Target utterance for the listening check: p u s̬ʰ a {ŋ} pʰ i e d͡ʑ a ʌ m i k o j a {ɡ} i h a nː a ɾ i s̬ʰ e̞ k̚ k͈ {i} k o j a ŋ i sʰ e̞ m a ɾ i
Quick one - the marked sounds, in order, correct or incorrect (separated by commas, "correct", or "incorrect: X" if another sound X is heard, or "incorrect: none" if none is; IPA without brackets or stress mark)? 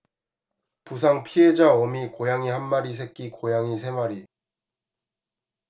correct, incorrect: ŋ, correct